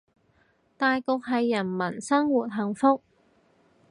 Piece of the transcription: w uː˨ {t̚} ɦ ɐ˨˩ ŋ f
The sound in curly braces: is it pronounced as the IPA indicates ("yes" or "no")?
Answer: yes